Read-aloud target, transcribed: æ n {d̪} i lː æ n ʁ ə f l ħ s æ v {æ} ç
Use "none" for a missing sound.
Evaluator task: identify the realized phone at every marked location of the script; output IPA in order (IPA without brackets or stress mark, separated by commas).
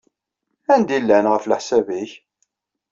d̪, i